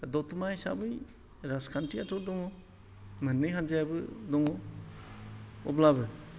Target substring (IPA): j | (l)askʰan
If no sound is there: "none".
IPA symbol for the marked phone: ɾ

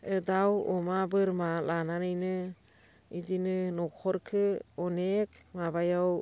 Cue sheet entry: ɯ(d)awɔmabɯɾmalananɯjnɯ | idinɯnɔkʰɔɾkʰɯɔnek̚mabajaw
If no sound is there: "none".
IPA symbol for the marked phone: d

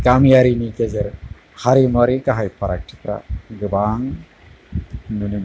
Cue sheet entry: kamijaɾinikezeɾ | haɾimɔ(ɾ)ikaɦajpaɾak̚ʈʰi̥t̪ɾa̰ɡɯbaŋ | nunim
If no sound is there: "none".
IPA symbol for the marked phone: ɾ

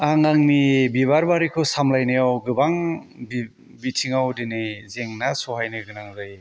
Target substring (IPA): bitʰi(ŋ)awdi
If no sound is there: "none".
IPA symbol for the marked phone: ŋ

